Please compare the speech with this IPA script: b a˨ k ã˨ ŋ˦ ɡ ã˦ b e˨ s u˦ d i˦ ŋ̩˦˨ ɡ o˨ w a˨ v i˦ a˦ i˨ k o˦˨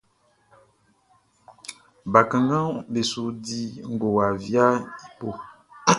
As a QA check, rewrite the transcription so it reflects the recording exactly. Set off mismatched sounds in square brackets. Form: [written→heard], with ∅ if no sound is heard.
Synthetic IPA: b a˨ k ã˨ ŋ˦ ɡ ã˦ b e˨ s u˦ d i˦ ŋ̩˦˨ ɡ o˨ w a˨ v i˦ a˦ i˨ [k→p] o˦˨

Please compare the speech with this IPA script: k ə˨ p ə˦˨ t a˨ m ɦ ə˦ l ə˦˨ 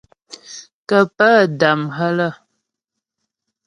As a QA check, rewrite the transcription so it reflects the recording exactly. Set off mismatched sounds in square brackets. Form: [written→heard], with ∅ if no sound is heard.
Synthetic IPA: k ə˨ p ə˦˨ [t→d] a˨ m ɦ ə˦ l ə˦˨

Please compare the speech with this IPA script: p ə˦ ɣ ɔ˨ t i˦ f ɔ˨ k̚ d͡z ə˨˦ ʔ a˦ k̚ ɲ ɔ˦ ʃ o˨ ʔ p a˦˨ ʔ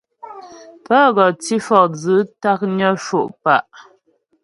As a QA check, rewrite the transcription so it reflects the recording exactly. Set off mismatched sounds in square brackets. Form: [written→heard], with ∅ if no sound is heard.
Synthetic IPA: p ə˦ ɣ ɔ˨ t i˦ f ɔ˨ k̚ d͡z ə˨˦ [ʔ→t] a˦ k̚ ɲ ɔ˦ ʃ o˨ ʔ p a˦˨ ʔ

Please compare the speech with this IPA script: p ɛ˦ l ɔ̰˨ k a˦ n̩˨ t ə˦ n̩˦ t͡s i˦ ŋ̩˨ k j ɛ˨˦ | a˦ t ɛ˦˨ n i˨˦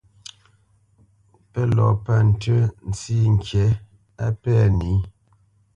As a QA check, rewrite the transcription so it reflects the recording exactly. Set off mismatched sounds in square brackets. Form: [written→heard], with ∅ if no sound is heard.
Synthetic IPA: p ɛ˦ l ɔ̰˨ [k→p] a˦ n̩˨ t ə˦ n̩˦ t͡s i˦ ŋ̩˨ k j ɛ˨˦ | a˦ [t→p] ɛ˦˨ n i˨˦

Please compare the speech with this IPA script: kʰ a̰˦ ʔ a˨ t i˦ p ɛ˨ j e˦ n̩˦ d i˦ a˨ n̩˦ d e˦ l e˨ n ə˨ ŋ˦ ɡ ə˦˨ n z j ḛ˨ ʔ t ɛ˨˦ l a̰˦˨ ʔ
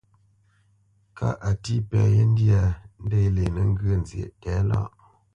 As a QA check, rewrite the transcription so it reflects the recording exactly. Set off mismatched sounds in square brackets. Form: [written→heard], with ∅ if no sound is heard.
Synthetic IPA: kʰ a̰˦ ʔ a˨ t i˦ p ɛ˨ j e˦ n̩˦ d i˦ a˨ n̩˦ d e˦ l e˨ n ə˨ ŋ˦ ɡ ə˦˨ n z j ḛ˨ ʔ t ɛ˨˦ l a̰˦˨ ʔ

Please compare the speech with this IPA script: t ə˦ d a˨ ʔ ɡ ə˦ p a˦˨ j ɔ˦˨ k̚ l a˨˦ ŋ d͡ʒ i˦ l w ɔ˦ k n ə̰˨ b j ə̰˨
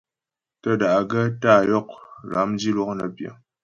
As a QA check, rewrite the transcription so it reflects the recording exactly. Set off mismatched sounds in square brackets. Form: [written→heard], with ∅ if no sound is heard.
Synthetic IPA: t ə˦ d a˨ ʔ ɡ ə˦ [p→t] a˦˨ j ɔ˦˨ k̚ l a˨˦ [ŋ→m] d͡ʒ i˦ l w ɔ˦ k n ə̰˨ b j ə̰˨

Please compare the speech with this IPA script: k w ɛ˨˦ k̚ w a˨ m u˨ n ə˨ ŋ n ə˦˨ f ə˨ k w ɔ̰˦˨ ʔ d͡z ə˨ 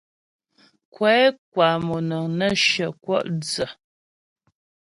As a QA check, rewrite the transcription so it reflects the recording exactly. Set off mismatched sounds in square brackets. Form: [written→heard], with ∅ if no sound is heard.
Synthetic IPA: k w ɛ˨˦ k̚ w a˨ m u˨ n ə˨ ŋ n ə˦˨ [f→ʃ] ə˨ k w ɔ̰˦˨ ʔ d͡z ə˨

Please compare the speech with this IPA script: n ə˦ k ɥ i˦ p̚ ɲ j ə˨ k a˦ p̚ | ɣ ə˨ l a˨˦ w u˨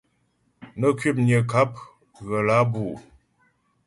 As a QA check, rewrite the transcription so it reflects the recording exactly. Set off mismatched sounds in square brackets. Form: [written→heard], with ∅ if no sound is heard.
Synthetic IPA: n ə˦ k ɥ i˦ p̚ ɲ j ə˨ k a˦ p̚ | ɣ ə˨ l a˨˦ [w→b] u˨

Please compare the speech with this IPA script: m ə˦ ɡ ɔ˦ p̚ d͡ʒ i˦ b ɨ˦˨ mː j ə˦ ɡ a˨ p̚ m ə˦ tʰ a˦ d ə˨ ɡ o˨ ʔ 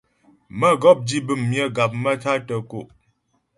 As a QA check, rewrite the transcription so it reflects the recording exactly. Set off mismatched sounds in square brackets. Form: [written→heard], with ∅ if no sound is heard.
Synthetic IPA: m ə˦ ɡ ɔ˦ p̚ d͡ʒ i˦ b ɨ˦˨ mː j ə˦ ɡ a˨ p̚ m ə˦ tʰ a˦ [d→t] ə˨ [ɡ→k] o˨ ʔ

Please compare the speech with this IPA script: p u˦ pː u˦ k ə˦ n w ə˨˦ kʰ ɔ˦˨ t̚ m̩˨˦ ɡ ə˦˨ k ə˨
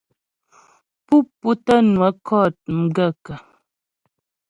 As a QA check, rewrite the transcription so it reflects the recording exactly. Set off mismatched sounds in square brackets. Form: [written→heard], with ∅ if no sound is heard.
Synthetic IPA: p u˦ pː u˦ [k→t] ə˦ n w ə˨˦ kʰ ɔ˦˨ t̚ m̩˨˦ ɡ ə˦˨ k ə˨

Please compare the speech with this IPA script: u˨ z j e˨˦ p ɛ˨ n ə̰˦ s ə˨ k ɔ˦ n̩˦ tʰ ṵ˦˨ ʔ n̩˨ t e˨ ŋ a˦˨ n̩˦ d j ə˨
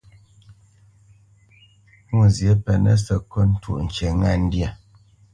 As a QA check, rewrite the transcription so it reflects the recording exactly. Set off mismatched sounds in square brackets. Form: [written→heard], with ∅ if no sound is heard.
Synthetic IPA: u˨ z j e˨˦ p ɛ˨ n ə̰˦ s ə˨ k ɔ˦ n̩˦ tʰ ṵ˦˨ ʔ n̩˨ [t→t͡ʃ] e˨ ŋ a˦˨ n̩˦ d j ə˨

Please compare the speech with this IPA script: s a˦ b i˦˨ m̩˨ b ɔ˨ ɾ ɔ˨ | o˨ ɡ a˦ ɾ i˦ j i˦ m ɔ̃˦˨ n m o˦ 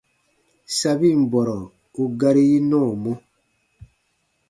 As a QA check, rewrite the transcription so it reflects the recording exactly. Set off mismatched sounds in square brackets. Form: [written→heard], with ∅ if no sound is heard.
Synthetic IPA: s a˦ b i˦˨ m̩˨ b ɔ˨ ɾ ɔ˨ | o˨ ɡ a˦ ɾ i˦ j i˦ [m→n] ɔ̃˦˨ [n→∅] m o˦

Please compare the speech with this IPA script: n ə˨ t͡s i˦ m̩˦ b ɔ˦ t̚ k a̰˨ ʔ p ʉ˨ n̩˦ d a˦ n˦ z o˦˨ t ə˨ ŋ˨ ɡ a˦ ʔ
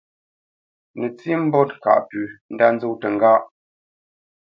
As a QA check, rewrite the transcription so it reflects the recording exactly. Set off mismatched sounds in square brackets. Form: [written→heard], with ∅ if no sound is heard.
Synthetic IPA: n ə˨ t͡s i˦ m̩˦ b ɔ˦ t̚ k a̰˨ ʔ p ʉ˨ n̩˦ d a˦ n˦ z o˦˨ t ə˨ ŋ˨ ɡ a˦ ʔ

